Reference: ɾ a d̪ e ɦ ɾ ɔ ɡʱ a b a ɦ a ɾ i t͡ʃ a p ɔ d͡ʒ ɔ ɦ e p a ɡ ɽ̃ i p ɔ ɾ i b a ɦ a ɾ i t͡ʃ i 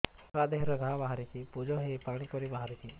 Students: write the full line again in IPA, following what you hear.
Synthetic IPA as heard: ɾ a d̪ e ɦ ɾ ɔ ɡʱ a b a ɦ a ɾ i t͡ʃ i p u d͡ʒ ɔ ɦ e p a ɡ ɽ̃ i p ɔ ɾ i b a ɦ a ɾ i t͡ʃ i